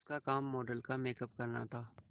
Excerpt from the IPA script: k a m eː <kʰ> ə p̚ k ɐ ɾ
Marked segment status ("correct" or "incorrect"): incorrect